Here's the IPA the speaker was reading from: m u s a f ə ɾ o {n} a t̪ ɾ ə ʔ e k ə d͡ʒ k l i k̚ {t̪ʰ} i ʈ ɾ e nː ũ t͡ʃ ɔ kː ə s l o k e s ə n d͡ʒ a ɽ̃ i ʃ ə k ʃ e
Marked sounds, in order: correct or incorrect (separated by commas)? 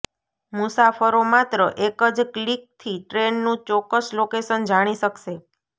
incorrect, correct